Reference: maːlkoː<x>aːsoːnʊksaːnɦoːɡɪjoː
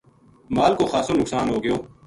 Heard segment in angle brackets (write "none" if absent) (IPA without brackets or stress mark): x